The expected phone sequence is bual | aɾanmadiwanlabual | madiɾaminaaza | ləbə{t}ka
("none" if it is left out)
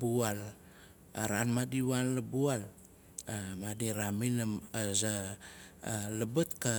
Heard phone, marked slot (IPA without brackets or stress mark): t